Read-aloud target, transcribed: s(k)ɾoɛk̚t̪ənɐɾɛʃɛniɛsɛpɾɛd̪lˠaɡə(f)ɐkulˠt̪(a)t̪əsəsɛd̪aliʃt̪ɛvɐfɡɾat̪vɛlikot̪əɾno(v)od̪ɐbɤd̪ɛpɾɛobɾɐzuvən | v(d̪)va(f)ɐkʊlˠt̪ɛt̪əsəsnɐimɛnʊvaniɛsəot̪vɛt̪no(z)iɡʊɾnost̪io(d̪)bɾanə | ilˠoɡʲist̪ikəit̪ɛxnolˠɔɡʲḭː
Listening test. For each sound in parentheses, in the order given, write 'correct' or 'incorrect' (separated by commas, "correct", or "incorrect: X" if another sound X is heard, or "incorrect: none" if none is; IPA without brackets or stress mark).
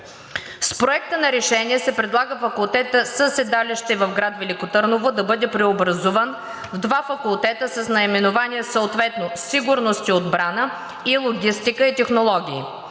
incorrect: p, correct, incorrect: ɛ, correct, correct, correct, incorrect: s, correct